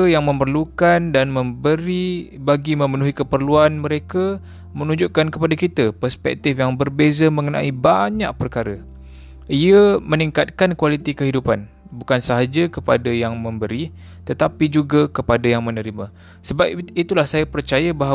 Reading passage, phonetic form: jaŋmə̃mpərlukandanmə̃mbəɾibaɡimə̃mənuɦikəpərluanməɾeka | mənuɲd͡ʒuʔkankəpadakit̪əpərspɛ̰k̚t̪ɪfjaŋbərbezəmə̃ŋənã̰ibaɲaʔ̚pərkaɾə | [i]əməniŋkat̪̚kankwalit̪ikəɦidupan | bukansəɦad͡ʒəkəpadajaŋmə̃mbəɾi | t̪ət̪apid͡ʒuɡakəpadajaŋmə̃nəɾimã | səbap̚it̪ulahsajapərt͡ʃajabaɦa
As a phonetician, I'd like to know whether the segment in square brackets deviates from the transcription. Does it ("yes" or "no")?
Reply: no